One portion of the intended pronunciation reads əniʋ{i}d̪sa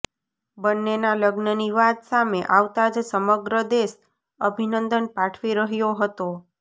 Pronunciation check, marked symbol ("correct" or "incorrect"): incorrect